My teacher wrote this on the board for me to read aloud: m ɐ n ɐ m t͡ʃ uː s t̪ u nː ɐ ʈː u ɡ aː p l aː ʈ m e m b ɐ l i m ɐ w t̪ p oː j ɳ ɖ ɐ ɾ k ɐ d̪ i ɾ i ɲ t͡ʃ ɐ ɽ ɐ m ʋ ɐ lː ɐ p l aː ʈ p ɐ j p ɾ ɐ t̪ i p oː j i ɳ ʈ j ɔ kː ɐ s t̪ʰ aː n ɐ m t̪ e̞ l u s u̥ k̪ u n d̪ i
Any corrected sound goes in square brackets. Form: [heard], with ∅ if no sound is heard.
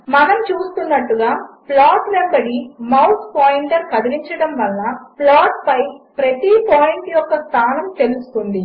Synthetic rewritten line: m ɐ n ɐ m t͡ʃ uː s t̪ u nː ɐ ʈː u ɡ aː p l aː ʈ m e m b ɐ [ɽ] i m ɐ w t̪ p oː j ɳ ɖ ɐ ɾ k ɐ d̪ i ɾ i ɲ t͡ʃ ɐ ɽ ɐ m ʋ ɐ lː ɐ p l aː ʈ p ɐ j p ɾ ɐ t̪ i p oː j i ɳ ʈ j ɔ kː ɐ s t̪ʰ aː n ɐ m t̪ e̞ l u s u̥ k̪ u n d̪ i